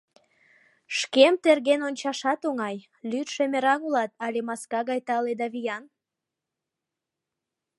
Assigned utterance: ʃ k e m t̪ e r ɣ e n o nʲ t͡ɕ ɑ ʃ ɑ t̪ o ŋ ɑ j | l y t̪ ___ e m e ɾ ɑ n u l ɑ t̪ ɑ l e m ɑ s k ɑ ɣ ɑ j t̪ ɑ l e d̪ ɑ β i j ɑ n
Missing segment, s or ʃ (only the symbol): ʃ